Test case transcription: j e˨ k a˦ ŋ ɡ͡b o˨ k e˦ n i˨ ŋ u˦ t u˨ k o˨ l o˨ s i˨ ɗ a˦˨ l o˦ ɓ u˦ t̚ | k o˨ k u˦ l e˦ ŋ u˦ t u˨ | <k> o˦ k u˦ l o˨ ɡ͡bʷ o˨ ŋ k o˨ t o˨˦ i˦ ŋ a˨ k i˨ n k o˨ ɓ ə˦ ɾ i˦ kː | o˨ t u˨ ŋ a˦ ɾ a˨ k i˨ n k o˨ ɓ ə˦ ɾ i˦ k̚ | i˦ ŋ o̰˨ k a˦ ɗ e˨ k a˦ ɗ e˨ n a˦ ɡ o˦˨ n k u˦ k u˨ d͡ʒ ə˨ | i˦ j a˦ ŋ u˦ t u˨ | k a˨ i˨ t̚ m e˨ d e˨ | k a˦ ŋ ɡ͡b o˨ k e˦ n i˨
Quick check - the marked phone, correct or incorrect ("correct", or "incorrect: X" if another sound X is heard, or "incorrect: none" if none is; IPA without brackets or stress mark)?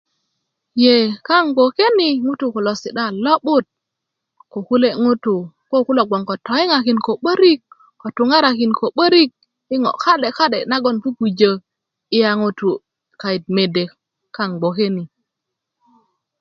correct